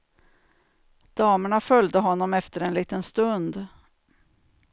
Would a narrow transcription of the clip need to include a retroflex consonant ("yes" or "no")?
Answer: yes